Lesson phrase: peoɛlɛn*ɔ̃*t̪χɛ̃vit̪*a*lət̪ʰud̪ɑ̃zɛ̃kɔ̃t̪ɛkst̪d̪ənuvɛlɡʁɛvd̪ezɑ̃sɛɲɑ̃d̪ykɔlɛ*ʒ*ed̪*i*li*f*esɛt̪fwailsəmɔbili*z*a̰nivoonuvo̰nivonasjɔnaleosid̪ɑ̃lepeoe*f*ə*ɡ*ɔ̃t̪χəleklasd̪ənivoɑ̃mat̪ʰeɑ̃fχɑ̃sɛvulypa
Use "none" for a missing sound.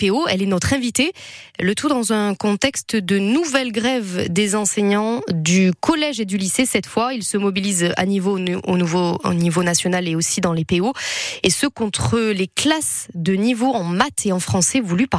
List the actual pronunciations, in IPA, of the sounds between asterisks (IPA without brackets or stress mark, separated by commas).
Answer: ɔ, e, ʒ, y, s, z, s, k